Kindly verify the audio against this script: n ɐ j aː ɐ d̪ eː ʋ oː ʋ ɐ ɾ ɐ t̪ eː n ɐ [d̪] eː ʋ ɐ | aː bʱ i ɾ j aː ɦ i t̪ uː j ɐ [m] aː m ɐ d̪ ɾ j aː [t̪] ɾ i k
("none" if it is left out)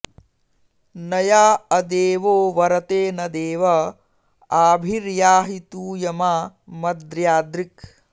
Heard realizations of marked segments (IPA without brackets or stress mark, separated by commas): d̪, m, d̪